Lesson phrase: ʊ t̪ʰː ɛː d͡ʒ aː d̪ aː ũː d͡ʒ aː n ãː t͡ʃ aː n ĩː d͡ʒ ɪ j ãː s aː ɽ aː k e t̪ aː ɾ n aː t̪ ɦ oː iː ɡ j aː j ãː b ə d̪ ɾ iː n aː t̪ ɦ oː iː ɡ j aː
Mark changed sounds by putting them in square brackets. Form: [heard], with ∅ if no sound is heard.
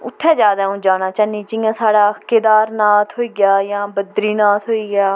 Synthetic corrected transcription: ʊ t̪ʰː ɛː d͡ʒ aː d̪ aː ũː d͡ʒ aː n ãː t͡ʃ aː n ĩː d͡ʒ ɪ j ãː s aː ɽ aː k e [d̪] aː ɾ n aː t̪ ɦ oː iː ɡ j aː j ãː b ə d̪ ɾ iː n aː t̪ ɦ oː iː ɡ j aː